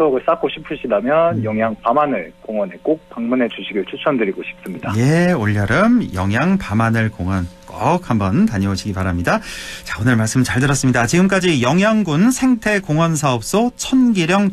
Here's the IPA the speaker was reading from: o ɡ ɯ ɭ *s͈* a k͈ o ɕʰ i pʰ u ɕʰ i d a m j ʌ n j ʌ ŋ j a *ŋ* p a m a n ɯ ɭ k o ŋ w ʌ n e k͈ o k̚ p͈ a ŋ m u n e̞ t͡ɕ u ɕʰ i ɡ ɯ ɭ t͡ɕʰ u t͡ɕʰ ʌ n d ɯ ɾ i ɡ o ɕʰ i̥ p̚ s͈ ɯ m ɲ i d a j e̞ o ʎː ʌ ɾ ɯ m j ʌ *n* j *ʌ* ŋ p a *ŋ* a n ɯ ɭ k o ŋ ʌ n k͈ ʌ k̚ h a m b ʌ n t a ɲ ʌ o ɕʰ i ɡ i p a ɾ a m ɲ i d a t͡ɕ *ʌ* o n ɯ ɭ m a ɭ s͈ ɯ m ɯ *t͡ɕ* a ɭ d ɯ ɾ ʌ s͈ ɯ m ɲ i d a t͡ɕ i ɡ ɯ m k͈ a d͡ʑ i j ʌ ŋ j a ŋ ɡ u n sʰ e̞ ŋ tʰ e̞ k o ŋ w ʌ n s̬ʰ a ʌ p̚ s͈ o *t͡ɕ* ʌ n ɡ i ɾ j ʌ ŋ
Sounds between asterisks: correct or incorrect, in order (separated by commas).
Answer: correct, correct, incorrect, incorrect, incorrect, incorrect, correct, incorrect